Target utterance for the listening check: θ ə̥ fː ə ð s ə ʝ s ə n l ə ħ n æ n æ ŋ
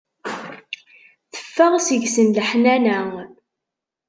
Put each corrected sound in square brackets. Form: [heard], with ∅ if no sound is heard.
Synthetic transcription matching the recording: θ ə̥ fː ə [ʁ] s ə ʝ s ə n l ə ħ n æ n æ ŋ